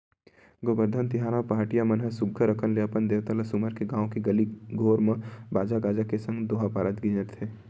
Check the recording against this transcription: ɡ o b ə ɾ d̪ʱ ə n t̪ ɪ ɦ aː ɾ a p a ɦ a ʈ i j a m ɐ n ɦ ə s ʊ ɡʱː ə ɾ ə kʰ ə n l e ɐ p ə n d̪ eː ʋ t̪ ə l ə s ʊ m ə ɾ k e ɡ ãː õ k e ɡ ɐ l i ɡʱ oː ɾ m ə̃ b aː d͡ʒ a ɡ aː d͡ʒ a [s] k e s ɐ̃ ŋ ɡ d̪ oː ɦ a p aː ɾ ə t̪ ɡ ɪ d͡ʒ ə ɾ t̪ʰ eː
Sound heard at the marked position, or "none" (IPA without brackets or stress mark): none